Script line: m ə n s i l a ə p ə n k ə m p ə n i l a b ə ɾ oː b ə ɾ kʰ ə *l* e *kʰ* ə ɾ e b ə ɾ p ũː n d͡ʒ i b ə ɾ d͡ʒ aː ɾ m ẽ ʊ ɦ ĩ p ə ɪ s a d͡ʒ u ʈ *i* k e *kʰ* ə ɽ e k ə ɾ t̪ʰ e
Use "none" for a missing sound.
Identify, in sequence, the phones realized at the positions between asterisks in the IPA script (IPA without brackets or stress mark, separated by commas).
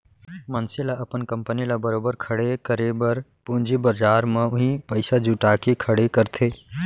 ɽ, k, a, kʰ